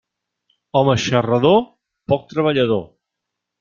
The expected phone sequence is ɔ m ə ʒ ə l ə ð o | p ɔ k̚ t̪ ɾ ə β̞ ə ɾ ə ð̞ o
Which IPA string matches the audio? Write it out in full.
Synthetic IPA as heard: ɔ m ə ʃ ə r ə ð o | p ɔ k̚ t̪ ɾ ə β̞ ə ʎ ə ð̞ o

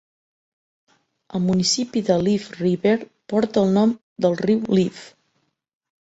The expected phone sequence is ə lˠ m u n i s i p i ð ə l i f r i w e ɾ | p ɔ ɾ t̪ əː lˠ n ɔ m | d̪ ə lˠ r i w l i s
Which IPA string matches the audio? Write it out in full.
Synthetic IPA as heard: ə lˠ m u n i s i p i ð ə l i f r i β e ɾ | p ɔ ɾ t̪ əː lˠ n ɔ m | d̪ ə lˠ r i w l i f

